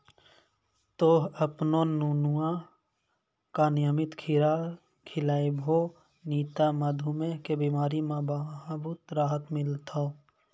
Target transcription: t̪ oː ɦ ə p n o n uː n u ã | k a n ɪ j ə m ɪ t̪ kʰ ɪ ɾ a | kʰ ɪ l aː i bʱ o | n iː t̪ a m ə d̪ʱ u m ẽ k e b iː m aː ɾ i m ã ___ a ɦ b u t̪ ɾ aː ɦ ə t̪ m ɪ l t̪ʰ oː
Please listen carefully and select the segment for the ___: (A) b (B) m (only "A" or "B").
A